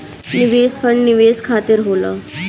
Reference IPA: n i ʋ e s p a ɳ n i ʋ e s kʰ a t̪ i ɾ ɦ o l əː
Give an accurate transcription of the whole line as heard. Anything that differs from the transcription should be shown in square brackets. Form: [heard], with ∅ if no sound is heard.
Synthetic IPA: n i ʋ e s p [ə] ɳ n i ʋ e s kʰ a t̪ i ɾ ɦ o l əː